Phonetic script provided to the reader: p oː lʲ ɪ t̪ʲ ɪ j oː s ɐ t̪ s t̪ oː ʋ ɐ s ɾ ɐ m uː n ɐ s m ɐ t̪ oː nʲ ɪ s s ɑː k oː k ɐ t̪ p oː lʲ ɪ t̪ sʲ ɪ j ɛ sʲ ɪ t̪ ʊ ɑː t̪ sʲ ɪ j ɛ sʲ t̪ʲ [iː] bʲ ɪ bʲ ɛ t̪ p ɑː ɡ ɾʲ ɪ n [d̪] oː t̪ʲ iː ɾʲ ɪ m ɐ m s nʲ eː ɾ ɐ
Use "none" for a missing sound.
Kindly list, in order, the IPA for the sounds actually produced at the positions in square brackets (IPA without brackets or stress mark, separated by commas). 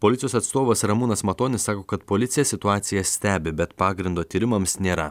æː, d̪